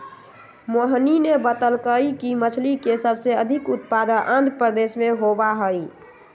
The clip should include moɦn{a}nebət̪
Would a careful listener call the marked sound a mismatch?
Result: yes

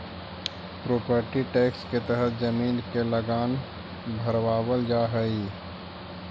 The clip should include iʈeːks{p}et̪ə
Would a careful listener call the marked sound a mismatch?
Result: yes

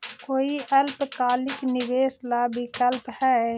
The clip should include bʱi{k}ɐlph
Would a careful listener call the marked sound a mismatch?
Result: no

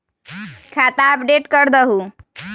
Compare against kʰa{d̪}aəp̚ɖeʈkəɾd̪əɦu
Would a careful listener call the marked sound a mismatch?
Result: yes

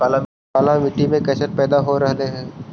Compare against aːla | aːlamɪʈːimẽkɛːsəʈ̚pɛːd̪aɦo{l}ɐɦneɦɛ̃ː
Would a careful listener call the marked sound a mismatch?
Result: yes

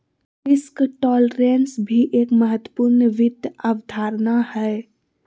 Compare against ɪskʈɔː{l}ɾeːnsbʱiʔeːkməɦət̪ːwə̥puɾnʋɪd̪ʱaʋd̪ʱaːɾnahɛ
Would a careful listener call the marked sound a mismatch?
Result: no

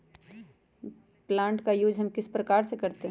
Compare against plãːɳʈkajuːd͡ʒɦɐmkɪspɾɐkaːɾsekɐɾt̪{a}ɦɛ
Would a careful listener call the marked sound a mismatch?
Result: yes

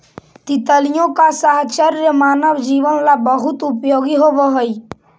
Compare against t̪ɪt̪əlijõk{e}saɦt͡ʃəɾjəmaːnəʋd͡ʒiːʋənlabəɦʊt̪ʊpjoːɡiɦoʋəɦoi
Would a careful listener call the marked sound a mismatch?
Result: yes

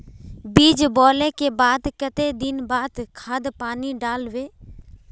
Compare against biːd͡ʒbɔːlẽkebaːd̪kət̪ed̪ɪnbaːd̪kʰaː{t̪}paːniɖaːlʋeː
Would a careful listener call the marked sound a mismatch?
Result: yes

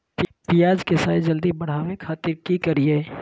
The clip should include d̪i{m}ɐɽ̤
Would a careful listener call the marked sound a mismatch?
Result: yes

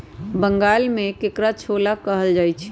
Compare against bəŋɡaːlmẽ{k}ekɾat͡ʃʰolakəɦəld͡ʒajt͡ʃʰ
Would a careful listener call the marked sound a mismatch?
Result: no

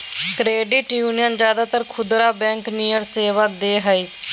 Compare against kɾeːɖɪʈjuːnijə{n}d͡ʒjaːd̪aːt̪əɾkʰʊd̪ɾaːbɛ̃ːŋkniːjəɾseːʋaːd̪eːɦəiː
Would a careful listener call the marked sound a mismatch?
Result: no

